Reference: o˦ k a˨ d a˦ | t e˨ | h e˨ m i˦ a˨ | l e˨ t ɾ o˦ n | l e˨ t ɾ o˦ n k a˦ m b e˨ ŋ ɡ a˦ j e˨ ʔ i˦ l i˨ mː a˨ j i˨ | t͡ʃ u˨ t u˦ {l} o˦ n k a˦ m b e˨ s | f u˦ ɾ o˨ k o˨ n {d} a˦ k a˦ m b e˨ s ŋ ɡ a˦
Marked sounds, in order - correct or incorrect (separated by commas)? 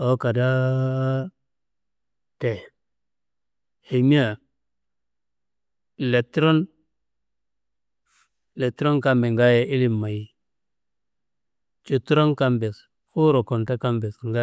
incorrect, incorrect